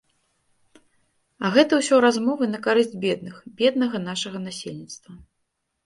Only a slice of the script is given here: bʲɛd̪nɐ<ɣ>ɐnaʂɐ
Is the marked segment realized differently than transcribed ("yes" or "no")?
no